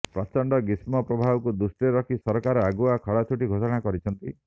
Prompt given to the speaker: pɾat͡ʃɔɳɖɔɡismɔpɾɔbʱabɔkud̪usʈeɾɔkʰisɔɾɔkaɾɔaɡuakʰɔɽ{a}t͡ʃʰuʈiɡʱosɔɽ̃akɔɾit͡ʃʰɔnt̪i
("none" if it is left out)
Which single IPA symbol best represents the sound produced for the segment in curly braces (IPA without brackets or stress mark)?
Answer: a